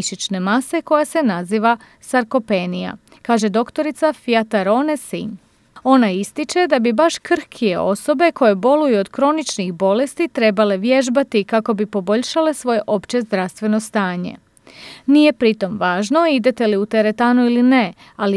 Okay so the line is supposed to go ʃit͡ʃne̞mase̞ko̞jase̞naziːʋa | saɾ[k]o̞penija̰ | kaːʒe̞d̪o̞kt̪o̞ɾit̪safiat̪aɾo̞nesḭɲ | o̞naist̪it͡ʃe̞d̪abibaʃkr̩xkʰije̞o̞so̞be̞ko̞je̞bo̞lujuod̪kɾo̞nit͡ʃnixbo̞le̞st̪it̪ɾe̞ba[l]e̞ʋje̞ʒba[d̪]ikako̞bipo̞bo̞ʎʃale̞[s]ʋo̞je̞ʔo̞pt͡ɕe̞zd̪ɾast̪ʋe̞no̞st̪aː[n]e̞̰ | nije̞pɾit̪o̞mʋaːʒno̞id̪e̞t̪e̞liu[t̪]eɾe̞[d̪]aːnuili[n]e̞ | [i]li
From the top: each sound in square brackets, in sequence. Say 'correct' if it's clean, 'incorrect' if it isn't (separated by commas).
correct, correct, incorrect, correct, incorrect, correct, incorrect, correct, incorrect